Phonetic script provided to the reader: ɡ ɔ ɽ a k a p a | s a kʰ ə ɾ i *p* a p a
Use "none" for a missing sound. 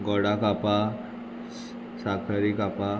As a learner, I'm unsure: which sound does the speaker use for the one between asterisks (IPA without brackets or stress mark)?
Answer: k